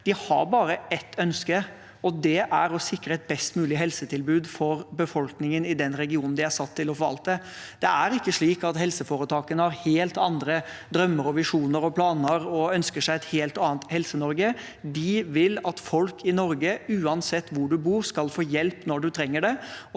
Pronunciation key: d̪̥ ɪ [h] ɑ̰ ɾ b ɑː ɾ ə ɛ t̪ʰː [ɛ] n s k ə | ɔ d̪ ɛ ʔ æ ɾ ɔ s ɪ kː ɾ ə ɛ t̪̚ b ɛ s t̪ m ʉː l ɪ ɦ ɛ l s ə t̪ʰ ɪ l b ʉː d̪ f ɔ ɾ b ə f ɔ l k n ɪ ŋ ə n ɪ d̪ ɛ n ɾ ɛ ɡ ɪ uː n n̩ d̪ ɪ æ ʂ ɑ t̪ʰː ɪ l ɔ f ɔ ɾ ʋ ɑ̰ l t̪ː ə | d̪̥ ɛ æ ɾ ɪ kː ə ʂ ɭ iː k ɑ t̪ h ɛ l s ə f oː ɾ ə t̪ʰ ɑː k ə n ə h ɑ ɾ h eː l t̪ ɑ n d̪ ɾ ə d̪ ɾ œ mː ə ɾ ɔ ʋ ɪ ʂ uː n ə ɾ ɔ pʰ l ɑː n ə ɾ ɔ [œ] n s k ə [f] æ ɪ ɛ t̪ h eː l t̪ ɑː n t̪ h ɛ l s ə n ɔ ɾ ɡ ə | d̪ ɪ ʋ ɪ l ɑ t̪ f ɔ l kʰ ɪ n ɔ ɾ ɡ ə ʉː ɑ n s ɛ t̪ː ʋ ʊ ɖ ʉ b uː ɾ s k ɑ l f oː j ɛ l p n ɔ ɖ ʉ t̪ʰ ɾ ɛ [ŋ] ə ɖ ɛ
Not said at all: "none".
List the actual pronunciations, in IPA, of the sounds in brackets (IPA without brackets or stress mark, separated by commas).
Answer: h, œ, œ, ʂ, ŋː